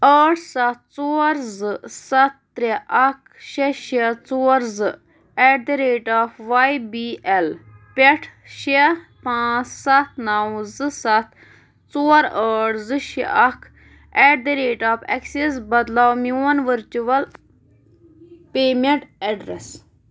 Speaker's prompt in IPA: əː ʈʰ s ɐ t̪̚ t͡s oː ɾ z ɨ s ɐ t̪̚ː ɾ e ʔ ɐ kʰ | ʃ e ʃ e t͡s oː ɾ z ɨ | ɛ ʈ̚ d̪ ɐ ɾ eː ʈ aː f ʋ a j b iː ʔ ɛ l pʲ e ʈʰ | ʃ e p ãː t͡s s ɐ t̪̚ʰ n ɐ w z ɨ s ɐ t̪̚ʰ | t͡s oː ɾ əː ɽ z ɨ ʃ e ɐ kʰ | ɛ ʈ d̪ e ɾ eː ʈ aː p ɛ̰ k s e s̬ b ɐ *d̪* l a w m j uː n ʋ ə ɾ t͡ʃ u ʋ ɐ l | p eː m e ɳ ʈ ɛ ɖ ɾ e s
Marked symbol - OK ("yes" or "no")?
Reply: yes